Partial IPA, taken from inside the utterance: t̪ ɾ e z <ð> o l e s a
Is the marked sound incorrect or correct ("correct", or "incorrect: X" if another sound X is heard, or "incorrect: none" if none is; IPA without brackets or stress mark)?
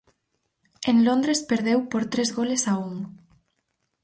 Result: incorrect: ɣ